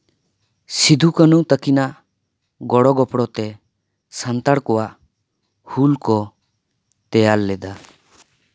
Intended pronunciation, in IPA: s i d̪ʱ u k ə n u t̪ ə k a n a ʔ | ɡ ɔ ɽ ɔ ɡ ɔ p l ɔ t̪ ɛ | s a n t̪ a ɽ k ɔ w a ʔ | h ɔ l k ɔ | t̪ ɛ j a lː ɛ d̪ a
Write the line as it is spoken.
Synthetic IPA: s i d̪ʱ u k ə n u t̪ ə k i n a ʔ | ɡ ɔ ɽ ɔ ɡ ɔ p ɽ ɔ t̪ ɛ | s a n t̪ a ɽ k ɔ w a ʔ | h u l k ɔ | t̪ ɛ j a lː ɛ d̪ a